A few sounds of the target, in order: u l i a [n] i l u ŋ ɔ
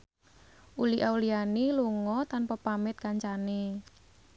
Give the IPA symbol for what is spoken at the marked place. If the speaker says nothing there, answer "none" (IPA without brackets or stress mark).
n